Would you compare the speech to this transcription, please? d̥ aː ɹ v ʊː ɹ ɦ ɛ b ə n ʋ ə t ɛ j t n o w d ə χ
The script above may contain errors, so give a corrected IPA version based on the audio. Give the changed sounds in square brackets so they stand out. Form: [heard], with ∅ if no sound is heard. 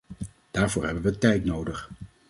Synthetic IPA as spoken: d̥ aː ɹ v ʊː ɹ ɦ ɛ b ə n ʋ ə t ɛ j t n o w d ə χ